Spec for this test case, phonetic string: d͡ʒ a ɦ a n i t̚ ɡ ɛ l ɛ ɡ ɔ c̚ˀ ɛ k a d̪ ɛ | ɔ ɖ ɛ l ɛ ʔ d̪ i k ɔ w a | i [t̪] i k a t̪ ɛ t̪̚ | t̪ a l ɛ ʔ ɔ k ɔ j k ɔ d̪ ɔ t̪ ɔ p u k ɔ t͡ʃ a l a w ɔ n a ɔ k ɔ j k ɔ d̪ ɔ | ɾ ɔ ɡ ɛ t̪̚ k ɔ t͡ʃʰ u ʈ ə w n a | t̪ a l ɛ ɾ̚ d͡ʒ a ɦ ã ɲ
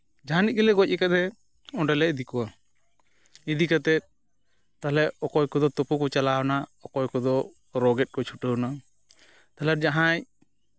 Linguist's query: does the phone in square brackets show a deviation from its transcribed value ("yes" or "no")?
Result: yes